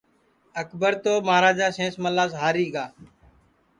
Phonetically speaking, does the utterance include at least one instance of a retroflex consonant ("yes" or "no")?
no